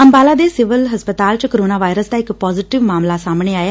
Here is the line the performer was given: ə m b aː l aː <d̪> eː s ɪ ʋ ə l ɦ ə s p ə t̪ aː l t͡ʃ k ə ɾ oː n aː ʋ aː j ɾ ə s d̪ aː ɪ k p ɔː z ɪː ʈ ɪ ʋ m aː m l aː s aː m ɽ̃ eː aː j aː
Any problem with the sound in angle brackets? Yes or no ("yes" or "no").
no